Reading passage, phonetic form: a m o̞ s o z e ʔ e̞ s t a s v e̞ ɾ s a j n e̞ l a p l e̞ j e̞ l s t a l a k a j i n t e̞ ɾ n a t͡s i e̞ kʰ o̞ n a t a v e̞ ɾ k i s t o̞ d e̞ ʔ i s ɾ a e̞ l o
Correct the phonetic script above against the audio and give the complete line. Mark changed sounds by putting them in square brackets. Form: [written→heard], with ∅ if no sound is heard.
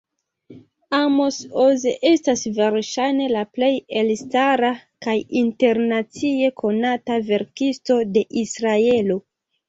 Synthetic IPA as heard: a m o̞ s o z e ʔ e̞ s t a s v e̞ ɾ [s→ʃ] a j n e̞ l a p l e̞ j e̞ l s t a [l→ɾ] a k a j i n t e̞ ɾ n a t͡s i e̞ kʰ o̞ n a t a v e̞ ɾ k i s t o̞ d e̞ ʔ i s ɾ a e̞ l o